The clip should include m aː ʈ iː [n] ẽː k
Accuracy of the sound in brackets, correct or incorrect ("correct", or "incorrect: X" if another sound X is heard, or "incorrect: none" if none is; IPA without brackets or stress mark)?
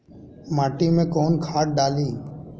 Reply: incorrect: m